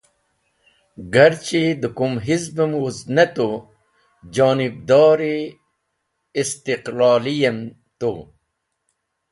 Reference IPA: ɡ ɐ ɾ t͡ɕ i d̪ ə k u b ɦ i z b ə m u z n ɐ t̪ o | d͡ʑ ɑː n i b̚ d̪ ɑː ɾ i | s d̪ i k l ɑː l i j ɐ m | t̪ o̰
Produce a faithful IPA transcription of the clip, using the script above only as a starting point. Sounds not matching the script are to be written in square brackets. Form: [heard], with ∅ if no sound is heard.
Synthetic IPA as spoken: ɡ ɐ ɾ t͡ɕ i d̪ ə k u [m] ɦ i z b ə m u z n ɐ t̪ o | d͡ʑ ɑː n i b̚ d̪ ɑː ɾ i | s [t̪] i [q] l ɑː l i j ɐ m | t̪ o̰